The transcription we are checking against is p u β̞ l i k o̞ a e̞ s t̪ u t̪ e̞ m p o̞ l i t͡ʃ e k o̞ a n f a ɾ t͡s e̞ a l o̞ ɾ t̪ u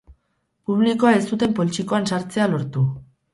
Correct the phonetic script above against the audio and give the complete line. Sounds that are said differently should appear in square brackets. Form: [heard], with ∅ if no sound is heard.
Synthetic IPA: p u β̞ l i k o̞ a e̞ s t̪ u t̪ e̞ m p o̞ l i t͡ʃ [i] k o̞ a n [s] a ɾ t͡s e̞ a l o̞ ɾ t̪ u